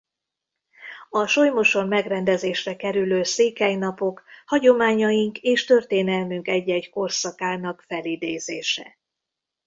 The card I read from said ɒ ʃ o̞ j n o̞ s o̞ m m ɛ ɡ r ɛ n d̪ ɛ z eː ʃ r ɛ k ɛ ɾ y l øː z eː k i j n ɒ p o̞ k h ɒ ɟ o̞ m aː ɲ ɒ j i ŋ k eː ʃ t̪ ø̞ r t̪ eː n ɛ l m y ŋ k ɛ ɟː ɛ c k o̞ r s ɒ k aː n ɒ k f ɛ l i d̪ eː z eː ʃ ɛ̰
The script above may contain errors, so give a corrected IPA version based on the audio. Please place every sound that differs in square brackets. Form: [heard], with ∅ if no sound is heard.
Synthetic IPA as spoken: ɒ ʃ o̞ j [m] o̞ [ʃ] o̞ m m ɛ ɡ r ɛ n d̪ ɛ z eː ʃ r ɛ k ɛ ɾ y l øː [s] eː k [ɛ] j n ɒ p o̞ k h ɒ ɟ o̞ m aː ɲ ɒ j i ŋ k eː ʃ t̪ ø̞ r t̪ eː n ɛ l m y ŋ k ɛ ɟː ɛ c k o̞ r s ɒ k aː n ɒ k f ɛ l i d̪ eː z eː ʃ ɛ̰